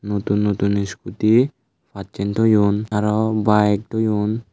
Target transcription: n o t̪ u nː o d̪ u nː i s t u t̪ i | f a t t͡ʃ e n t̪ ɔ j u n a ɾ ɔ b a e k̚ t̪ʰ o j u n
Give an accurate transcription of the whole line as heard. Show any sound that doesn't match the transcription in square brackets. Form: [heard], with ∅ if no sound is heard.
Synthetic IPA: n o t̪ u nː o [t̪] u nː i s [k] u t̪ i | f a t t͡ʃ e n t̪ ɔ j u n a ɾ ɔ b a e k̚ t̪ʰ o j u n